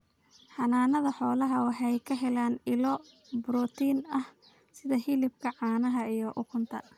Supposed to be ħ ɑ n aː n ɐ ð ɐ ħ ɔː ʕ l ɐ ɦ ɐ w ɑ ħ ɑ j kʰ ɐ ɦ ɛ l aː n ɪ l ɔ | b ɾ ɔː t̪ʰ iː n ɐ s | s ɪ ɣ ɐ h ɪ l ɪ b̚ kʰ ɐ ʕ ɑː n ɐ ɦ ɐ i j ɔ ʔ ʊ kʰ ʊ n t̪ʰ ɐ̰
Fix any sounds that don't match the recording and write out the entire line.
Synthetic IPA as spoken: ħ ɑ n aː n ɐ ð ɐ ħ ɔː l ɐ ɦ ɐ w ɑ ħ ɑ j kʰ ɐ ɦ ɛ l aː n ɪ l ɔ | b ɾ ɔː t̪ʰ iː n ɐ h | s ɪ ð ɐ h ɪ l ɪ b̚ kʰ ɐ ʕ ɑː n ɐ ɦ ɐ i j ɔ ʔ ʊ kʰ ʊ n t̪ʰ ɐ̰

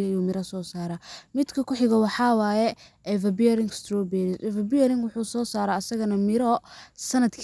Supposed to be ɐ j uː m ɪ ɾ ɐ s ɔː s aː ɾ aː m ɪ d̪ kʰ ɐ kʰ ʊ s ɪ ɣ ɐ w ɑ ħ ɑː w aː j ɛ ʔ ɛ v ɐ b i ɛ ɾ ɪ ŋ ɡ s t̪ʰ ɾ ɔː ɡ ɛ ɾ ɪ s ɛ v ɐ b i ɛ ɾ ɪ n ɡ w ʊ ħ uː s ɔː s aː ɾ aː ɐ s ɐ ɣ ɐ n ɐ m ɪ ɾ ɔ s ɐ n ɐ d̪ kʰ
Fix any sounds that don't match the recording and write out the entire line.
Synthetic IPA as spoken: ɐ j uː m ɪ ɾ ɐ s ɔː s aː ɾ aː m ɪ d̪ kʰ ɐ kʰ ʊ ħ ɪ ɣ ɐ w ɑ ħ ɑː w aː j ɛ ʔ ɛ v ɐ b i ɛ ɾ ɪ ŋ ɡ s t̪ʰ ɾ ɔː b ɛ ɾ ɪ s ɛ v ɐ b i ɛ ɾ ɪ ŋ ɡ w ʊ ħ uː s ɔː s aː ɾ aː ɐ s ɐ ɣ ɐ n ɐ m ɪ ɾ ɔ s ɐ n ɐ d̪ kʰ

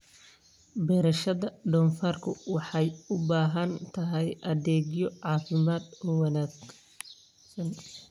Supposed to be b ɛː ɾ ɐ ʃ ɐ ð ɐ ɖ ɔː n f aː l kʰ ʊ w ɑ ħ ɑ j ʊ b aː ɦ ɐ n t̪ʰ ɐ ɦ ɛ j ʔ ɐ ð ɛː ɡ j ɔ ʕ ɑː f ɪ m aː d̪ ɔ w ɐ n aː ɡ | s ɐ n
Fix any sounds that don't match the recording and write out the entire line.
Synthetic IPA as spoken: b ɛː ɾ ɐ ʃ ɐ ð ɐ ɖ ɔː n f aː r kʰ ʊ w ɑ ħ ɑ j ʊ b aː ɦ ɐ n t̪ʰ ɐ ɦ ɛ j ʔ ɐ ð ɛː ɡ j ɔ ʕ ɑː f ɪ m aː d̪ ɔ w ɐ n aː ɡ | s ɐ n

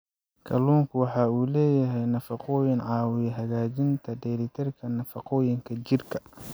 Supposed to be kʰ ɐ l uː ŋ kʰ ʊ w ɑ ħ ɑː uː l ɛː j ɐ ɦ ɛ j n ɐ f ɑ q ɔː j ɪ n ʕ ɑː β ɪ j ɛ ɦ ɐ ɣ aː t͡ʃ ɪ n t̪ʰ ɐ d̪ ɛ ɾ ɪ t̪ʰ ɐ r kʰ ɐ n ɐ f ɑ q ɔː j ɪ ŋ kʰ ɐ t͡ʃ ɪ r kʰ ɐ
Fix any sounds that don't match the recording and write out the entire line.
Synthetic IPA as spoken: kʰ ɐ l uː ŋ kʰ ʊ w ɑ ħ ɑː uː l ɛː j ɐ ɦ ɛ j n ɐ f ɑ q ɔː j ɪ n ʕ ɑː w ɪ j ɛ ɦ ɐ ɣ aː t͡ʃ ɪ n t̪ʰ ɐ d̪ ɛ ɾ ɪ t̪ʰ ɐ r kʰ ɐ n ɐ f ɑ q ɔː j ɪ ŋ kʰ ɐ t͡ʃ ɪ r kʰ ɐ

